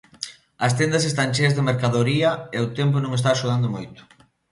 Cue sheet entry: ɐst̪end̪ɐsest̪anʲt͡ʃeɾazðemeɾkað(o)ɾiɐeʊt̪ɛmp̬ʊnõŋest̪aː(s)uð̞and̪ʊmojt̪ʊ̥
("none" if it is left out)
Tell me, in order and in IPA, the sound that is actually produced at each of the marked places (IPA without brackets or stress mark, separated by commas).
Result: o, ʃ